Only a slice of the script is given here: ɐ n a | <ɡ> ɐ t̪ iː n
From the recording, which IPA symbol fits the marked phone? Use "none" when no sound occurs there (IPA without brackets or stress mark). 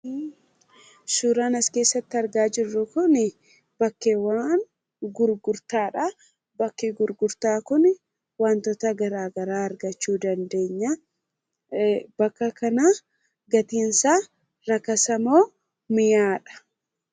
ɡ